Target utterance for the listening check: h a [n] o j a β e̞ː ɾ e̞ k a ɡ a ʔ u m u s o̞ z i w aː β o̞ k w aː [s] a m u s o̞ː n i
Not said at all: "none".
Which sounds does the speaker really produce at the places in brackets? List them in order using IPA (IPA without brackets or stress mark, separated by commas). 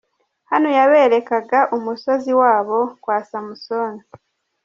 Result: n, s